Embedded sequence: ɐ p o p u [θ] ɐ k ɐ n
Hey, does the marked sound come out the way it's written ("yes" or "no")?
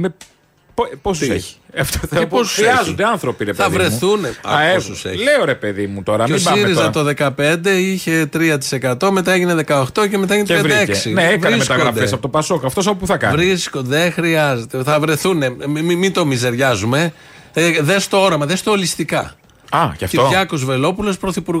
yes